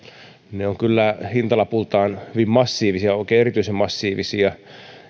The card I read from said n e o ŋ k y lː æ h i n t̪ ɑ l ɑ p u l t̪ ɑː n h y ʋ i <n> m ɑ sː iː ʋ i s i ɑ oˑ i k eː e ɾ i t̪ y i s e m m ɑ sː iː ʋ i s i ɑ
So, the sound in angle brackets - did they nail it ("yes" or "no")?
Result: no